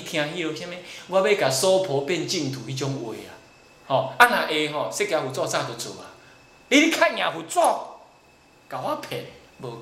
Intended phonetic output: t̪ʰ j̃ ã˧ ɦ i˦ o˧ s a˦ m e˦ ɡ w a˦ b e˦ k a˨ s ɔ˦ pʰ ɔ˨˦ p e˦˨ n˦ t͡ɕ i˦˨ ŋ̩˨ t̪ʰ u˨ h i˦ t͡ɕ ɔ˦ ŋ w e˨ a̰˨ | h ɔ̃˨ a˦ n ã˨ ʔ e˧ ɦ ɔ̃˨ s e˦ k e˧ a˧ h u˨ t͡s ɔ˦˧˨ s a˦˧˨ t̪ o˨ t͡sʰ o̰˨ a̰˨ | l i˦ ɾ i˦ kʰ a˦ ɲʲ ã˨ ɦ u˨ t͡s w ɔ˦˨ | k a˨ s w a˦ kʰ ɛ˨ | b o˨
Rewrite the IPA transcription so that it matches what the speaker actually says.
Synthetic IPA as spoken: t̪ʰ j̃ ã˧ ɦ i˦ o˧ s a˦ m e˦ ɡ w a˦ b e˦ k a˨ s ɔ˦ pʰ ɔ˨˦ p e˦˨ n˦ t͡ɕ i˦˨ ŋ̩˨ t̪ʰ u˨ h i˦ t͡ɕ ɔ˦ ŋ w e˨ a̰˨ | h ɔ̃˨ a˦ n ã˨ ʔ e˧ ɦ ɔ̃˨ s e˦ k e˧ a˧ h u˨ t͡s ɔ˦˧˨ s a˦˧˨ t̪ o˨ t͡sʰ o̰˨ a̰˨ | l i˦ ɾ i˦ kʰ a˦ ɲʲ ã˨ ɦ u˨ t͡s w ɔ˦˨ | k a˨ w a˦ pʰ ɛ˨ | b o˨